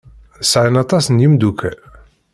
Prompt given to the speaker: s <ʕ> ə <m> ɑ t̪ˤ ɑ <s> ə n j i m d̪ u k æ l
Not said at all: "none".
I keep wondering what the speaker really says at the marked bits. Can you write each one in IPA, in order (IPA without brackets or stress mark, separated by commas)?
ʕ, n, s